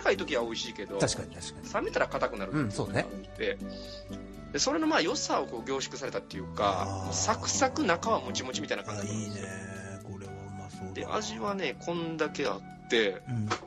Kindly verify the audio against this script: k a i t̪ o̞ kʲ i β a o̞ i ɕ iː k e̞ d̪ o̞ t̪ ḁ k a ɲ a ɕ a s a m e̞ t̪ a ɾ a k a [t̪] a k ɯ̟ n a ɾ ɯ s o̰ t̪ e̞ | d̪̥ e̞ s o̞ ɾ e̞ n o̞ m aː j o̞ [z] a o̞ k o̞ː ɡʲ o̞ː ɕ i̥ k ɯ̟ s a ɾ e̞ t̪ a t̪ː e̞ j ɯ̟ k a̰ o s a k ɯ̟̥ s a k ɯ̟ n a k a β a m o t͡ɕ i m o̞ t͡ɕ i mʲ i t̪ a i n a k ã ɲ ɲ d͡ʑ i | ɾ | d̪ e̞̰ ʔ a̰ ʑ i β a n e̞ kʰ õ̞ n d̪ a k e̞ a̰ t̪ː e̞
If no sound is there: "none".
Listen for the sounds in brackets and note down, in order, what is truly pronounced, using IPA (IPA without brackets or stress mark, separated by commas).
t̪, s